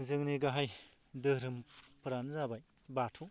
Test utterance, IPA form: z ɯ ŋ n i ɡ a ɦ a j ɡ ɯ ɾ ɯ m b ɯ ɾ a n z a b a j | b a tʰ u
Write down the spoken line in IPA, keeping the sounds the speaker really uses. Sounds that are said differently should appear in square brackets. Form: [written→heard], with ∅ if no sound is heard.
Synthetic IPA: z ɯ ŋ n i ɡ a ɦ a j [ɡ→d] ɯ ɾ ɯ m [b→p] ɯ ɾ a n z a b a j | b a tʰ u